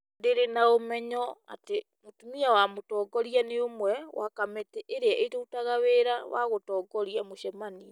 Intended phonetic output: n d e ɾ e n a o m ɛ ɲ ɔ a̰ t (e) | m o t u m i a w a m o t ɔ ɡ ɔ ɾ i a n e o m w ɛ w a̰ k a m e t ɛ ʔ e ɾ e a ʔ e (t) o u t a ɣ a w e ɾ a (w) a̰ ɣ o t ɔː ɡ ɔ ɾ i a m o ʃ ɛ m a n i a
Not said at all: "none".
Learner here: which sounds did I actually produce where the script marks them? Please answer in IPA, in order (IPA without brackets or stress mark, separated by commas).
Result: e, t, w